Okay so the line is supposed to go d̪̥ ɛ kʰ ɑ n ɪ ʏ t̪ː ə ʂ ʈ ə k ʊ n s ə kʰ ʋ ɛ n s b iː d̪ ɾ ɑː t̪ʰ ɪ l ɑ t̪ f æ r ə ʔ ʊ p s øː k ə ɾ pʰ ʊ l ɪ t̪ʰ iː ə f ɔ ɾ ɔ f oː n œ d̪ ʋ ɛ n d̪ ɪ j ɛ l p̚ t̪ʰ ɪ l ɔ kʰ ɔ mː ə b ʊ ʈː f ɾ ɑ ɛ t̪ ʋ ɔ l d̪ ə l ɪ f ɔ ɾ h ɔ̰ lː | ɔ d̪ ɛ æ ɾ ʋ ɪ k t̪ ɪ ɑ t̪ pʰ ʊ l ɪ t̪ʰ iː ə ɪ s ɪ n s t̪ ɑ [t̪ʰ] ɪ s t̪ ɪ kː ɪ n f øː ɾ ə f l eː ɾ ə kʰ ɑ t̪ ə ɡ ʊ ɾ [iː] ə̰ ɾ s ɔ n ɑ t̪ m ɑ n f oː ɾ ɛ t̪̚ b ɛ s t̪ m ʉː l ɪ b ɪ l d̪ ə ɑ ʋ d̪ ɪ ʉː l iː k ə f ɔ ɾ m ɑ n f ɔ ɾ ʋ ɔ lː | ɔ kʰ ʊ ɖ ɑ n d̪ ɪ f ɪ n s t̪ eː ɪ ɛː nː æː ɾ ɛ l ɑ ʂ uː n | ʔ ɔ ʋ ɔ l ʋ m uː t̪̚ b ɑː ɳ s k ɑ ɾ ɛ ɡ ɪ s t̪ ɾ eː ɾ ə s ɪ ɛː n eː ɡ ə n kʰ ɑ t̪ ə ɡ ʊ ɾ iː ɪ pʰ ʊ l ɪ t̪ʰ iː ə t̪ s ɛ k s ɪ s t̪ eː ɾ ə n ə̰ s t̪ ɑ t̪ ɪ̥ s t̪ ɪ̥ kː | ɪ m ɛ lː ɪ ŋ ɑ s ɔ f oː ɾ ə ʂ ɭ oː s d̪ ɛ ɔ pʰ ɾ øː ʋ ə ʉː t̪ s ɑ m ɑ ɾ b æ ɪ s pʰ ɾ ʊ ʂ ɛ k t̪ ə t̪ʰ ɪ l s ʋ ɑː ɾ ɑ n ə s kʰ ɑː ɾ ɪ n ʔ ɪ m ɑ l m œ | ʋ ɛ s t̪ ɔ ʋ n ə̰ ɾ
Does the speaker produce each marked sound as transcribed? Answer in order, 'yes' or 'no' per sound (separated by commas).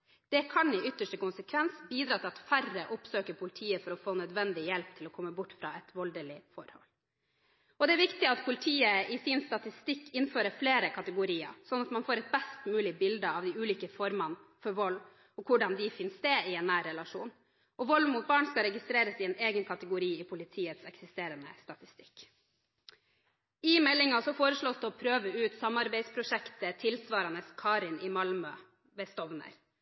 no, yes